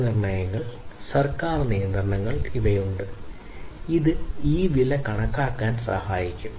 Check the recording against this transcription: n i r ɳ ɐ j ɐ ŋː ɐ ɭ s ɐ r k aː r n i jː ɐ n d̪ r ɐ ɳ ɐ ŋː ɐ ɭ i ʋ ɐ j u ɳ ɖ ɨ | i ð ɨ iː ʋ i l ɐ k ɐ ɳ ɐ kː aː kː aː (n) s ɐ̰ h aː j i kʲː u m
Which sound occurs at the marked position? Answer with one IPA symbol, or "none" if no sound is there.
n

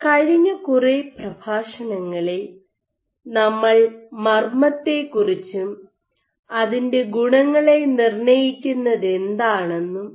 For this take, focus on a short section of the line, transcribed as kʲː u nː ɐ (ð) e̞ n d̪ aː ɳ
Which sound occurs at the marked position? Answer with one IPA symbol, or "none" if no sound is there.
ð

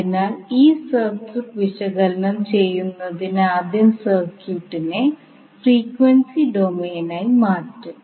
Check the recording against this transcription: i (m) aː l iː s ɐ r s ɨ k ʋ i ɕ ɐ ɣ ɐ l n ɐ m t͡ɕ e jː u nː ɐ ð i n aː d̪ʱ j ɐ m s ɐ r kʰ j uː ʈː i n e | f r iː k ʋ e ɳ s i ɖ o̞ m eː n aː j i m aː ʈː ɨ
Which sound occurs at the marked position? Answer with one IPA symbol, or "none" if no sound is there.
n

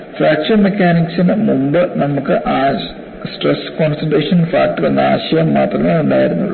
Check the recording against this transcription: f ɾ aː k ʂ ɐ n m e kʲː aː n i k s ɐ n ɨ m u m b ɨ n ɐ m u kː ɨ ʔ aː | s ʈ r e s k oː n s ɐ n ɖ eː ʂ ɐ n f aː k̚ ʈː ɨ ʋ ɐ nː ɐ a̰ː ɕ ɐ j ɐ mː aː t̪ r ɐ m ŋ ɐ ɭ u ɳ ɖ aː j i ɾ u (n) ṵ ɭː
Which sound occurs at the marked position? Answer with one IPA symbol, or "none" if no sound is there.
nː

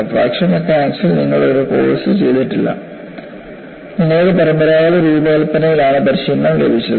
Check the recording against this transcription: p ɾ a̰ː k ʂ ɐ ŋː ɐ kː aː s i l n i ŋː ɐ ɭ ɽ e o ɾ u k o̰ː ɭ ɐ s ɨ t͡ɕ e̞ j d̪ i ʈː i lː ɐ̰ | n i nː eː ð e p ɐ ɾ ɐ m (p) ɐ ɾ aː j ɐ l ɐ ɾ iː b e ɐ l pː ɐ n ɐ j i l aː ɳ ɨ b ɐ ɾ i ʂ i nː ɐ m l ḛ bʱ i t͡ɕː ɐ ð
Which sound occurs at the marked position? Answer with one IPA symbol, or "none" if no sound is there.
b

